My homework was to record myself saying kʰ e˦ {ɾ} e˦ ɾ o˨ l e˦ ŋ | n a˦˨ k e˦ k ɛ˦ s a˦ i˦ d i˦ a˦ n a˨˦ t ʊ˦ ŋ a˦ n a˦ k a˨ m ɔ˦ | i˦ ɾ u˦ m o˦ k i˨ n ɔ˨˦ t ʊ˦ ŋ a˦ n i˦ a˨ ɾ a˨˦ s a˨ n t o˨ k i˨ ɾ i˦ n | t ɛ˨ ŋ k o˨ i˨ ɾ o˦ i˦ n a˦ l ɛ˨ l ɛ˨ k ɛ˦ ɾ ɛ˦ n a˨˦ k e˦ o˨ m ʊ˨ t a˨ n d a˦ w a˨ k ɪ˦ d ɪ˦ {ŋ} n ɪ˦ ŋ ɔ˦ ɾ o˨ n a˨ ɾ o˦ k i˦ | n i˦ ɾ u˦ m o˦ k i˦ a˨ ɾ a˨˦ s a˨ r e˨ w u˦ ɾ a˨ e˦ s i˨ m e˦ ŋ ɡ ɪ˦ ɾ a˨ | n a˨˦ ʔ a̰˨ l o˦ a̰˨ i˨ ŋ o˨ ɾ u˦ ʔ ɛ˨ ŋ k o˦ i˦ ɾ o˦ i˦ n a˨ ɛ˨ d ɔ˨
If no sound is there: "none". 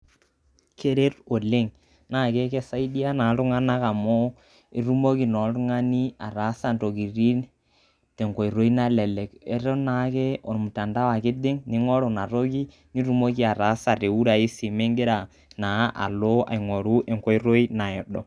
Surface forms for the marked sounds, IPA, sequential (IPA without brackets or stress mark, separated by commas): ɾ, ŋ